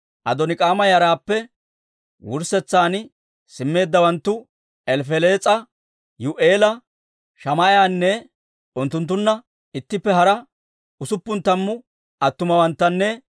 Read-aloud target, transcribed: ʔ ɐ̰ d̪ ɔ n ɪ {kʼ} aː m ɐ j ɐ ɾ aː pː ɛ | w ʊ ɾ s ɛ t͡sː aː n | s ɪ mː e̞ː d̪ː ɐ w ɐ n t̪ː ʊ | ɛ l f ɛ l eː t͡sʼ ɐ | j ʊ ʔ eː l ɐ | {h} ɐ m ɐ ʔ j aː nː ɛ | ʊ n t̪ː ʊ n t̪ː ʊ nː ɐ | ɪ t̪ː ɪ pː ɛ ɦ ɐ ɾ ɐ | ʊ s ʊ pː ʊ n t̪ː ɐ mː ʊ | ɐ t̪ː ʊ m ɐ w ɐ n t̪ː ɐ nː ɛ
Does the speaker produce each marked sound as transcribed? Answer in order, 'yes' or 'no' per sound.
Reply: yes, no

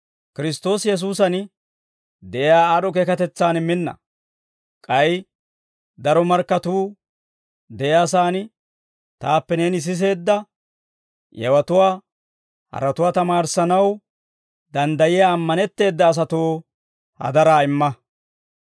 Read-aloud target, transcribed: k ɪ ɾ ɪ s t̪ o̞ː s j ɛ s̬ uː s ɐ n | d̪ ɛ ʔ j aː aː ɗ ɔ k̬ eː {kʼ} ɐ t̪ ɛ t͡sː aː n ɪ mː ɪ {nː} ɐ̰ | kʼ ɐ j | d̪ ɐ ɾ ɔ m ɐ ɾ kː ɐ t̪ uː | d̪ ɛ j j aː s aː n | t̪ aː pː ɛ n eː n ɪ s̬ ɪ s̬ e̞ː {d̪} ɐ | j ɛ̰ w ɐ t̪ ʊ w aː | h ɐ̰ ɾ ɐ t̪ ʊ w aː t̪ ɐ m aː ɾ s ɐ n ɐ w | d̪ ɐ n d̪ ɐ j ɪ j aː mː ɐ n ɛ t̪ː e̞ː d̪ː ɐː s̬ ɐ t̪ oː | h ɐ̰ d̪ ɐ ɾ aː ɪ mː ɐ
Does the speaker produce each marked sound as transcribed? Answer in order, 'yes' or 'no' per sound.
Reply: no, yes, no

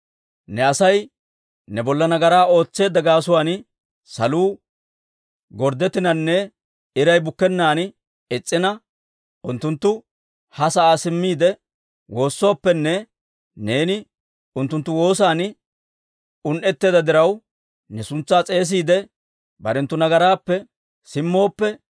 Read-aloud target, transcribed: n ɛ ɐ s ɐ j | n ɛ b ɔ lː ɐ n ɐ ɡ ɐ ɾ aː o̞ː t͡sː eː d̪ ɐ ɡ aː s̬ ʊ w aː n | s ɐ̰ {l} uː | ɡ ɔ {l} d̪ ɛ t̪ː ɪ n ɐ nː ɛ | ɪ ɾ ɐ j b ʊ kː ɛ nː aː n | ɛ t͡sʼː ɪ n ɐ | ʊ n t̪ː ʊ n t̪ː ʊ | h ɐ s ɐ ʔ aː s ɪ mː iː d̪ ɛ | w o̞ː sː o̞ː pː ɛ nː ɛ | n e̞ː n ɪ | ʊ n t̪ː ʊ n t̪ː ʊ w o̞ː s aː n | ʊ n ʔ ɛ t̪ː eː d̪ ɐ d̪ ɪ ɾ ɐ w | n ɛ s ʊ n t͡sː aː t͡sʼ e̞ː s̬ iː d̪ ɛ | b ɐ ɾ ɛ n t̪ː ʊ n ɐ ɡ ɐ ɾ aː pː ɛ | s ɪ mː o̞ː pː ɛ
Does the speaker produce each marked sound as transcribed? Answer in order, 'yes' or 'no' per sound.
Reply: yes, no

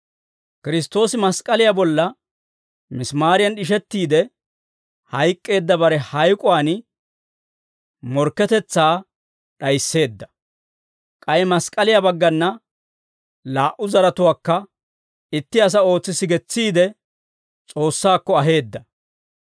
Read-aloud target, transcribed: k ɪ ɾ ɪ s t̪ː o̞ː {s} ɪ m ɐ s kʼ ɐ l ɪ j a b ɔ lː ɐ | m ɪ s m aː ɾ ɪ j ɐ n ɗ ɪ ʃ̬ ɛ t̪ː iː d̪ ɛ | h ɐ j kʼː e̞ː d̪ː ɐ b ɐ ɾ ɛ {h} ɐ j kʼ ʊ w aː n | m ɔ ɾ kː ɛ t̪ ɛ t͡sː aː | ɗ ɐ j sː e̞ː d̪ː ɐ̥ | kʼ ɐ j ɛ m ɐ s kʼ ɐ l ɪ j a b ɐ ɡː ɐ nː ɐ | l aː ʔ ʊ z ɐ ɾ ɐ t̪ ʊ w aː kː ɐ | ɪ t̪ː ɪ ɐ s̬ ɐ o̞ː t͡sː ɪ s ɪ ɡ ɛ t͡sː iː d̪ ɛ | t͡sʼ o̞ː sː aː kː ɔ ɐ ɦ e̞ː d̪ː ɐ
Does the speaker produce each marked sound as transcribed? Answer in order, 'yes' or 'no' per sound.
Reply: yes, yes

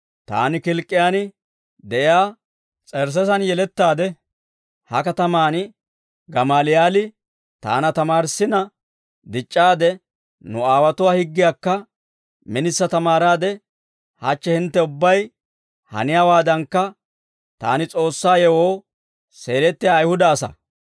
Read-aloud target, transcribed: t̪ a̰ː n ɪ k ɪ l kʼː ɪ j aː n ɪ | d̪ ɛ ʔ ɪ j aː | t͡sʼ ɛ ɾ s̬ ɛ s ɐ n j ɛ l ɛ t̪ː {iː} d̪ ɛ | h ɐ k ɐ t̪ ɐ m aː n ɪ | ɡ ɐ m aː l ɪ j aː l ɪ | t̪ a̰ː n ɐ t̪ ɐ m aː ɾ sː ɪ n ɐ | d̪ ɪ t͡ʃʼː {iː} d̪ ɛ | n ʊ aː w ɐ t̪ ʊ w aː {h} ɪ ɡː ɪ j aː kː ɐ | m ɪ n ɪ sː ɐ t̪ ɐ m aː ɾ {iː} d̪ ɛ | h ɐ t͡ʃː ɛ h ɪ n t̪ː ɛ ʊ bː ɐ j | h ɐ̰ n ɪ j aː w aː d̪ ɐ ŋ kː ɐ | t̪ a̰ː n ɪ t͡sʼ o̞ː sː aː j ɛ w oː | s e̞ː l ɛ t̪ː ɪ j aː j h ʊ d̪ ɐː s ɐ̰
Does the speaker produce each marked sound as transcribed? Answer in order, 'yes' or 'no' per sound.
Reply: no, no, yes, no

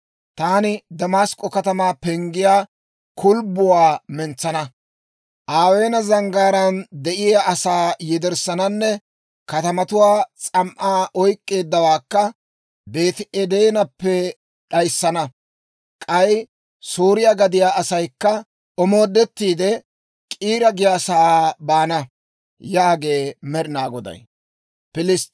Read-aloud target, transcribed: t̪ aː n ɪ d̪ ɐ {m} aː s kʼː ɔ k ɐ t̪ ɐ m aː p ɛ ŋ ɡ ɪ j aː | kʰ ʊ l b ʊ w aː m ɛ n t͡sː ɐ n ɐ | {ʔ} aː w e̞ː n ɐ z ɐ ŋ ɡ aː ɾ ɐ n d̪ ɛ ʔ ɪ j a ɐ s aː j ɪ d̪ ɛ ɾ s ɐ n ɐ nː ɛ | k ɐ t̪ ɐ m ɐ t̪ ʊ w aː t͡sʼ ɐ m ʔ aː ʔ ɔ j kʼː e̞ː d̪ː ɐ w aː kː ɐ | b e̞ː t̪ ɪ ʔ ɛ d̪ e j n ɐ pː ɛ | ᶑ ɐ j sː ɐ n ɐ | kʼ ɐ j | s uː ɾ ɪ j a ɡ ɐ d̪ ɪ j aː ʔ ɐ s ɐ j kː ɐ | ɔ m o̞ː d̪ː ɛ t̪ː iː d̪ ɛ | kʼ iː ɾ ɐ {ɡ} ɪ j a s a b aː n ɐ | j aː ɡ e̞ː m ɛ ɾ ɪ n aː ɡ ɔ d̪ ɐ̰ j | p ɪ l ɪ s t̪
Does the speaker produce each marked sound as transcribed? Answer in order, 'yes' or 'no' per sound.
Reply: yes, yes, yes

